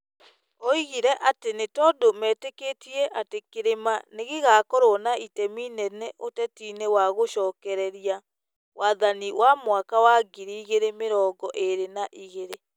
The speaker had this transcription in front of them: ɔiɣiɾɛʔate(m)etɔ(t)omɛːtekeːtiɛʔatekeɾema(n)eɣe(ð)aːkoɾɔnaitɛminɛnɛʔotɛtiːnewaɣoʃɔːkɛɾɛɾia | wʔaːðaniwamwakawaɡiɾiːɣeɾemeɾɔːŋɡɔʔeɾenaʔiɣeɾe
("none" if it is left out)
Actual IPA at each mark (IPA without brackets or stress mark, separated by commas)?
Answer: n, d, n, ɣ